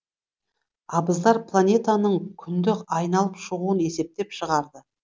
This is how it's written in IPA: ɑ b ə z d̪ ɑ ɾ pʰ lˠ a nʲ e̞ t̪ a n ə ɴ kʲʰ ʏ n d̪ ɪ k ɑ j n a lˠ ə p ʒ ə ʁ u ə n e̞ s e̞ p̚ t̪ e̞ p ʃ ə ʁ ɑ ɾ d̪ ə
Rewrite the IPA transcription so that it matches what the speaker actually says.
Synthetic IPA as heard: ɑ b ə z d̪ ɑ ɾ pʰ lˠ a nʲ e̞ t̪ a n ə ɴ kʲʰ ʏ n d̪ ɪ k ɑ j n ɑ lˠ ə p ʃ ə ʁ u ə n e̞ s e̞ p̚ t̪ e̞ p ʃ ə ʁ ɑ ɾ d̪ ə

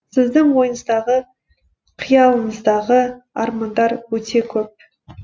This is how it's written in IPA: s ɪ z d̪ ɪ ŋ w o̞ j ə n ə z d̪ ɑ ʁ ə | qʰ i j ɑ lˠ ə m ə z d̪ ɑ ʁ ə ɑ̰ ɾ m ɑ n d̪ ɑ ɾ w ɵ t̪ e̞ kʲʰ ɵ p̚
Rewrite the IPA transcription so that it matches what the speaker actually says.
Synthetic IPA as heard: s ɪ z d̪ ɪ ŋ w o̞ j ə n ə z d̪ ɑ ʁ ə | qʰ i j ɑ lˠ ə m ə z d̪ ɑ ʁ ə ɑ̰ ɾ m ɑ n d̪ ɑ ɾ w ɵ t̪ e̞ kʲʰ ɵ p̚

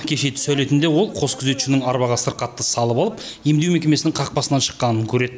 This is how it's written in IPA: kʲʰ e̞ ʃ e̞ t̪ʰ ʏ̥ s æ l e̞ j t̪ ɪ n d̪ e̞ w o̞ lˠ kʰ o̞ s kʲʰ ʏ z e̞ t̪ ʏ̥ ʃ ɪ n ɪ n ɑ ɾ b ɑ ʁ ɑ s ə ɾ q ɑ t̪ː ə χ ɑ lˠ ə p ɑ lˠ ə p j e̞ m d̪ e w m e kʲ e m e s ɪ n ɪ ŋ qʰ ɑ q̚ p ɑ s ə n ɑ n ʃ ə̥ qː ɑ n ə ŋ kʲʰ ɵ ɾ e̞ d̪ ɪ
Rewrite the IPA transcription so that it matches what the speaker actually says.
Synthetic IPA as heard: kʲʰ e̞ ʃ e̞ t̪ʰ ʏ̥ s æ l e̞ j t̪ ɪ n d̪ e̞ w o̞ lˠ qʰ o̞ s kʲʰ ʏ z e̞ t̪ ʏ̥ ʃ ɪ n ɪ ŋ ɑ ɾ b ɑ ʁ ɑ s ə ɾ q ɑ t̪ː ə s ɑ lˠ ə p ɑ lˠ ə p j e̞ m d̪ e w m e kʲ e m e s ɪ n ɪ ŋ qʰ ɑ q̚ p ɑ s ə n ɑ n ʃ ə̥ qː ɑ n ə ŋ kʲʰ ɵ ɾ e̞ d̪ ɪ

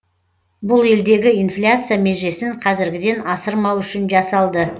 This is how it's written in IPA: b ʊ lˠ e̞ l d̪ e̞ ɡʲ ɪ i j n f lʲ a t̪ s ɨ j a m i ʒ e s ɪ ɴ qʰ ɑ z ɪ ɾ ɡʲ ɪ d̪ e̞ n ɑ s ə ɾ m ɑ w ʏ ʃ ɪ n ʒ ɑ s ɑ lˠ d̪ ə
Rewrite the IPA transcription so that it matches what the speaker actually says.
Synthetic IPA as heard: b ʊ lˠ e̞ l d̪ e̞ ɡʲ ɪ i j n f lʲ a t̪ s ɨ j a m e ʒ e s ɪ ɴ qʰ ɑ z ɪ ɾ ɡʲ ɪ d̪ e̞ n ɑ s ə ɾ m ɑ w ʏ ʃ ɪ n ʒ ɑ s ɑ lˠ d̪ ə

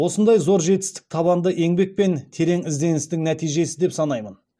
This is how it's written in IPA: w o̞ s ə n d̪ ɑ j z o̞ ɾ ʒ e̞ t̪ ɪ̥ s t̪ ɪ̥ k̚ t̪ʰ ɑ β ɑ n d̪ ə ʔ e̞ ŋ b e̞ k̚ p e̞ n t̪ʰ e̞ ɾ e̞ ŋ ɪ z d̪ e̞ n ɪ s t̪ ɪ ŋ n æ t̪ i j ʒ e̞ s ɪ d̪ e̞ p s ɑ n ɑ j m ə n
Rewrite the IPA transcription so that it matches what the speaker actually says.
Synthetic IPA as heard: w o̞ s ə n d̪ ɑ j z o̞ ɾ ʒ e̞ t̪ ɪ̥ s t̪ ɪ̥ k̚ t̪ʰ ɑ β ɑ n d̪ ə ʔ e̞ ŋ b e̞ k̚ p e̞ n t̪ʰ e̞ ɾ e̞ ŋ ɪ z d̪ e̞ n ɪ s t̪ ɪ ŋ n æ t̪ i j ʒ e̞ s ɪ d̪ e̞ p s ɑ n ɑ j m ə n

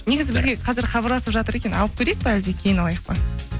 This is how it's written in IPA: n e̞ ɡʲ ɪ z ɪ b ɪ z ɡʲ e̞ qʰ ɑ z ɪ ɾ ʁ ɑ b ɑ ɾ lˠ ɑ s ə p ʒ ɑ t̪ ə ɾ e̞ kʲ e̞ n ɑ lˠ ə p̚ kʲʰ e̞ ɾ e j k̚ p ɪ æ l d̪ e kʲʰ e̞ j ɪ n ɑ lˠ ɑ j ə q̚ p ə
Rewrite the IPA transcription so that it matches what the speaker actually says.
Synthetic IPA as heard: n e̞ ɡʲ ɪ z ɪ b ɪ z ɡʲ e̞ qʰ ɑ z ɪ ɾ χ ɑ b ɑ ɾ lˠ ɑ s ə p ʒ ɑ t̪ ə ɾ e̞ kʲ e̞ n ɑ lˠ ə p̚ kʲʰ e̞ ɾ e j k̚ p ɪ æ l d̪ e kʲʰ e̞ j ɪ n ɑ lˠ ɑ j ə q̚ p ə

